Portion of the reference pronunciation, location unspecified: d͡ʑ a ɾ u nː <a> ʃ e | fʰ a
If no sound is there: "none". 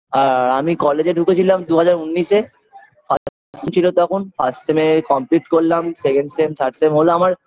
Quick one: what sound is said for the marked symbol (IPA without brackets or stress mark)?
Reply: i